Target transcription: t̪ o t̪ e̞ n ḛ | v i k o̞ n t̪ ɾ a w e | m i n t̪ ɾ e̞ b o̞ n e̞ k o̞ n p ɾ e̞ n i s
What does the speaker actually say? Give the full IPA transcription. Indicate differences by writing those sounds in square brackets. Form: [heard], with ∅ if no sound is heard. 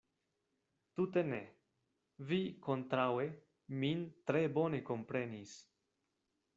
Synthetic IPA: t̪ [u] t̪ e̞ n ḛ | v i k o̞ n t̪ ɾ a w e | m i n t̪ ɾ e̞ b o̞ n e̞ k o̞ [m] p ɾ e̞ n i s